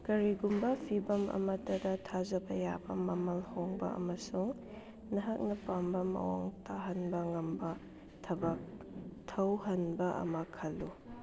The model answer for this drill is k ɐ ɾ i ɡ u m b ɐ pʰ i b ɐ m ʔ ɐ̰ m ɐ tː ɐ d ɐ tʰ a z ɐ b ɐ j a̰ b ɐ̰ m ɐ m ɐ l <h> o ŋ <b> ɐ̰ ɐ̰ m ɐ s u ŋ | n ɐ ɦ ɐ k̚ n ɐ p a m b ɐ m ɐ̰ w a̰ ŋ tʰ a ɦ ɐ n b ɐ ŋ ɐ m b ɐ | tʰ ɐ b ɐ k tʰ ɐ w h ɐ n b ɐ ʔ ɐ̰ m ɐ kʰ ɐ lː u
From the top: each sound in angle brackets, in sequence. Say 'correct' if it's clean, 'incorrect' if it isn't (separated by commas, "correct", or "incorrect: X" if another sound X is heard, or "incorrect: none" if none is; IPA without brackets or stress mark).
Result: correct, correct